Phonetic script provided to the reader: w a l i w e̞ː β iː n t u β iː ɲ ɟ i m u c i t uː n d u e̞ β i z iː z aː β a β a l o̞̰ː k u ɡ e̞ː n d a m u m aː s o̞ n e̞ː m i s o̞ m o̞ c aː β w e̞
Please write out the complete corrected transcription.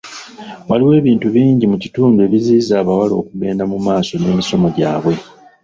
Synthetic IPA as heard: w a l i w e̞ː β iː n t u β iː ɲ ɟ i m u c i t uː n d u e̞ β i z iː z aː β a w a l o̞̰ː k u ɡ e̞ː n d a m u m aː s o̞ n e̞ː m i s o̞ m o̞ ɟ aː β w e̞